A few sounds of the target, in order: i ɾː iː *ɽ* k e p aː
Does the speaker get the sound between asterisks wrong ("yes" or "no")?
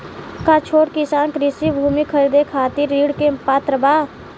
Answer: no